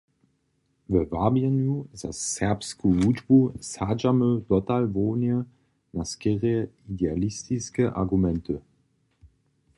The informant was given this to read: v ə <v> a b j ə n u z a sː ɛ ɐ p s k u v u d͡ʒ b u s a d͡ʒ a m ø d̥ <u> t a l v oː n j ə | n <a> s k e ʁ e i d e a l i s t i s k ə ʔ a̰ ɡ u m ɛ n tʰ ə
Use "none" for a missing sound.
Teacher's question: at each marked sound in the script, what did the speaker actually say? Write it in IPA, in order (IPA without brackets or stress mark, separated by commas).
v, ɔ, a